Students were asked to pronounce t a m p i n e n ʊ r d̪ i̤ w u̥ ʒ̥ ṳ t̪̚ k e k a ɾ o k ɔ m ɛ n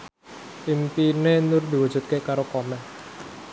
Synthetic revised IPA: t i m p i n e n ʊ r d̪ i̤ w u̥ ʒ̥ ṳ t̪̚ k e k a ɾ o k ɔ m ɛ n

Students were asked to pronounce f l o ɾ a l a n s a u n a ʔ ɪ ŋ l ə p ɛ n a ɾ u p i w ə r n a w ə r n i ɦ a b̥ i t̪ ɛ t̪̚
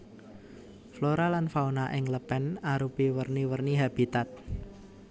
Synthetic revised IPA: f l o ɾ a l a n f a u n a ʔ ɪ ŋ l ə p ɛ n a ɾ u p i w ə r n i w ə r n i ɦ a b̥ i t̪ a t̪̚

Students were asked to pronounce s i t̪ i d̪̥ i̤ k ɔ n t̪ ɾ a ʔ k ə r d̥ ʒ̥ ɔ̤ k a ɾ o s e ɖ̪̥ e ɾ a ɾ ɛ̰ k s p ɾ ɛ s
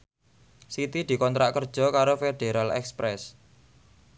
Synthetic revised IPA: s i t̪ i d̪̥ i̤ k ɔ n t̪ ɾ a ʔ k ə r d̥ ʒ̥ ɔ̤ k a ɾ o f e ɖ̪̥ e ɾ a l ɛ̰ k s p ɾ ɛ s

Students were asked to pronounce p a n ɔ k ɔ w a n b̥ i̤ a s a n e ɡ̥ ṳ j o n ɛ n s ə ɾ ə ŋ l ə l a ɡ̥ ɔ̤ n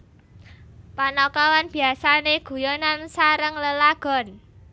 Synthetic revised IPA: p a n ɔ k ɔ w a n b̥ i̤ a s a n e ɡ̥ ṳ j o n a n s a ɾ ə ŋ l ə l a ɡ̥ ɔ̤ n

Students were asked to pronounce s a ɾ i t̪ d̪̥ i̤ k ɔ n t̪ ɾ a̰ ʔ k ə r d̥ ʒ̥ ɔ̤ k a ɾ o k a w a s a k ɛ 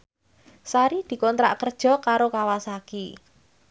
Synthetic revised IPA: s a ɾ i d̪̥ i̤ k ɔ n t̪ ɾ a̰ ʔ k ə r d̥ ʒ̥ ɔ̤ k a ɾ o k a w a s a k i

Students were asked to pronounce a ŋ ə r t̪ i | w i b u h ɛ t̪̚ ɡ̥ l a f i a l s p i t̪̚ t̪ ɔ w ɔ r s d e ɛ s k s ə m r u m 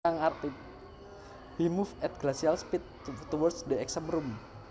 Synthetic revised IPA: a ŋ a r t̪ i | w i m u f ɛ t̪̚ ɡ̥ l a s i a l s p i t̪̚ t̪ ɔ w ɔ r s d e ɛ k s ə m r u m

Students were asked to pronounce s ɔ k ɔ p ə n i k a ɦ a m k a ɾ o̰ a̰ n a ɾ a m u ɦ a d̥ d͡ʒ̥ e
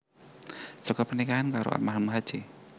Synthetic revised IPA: s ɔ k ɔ p ə n i k a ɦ a n k a ɾ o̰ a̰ m a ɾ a m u ɦ a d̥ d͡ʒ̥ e

